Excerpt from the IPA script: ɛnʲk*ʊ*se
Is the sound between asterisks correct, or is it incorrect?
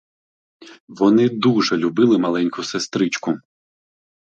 correct